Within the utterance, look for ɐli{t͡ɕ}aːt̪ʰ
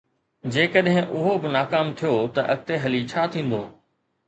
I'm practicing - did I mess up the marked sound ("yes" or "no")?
yes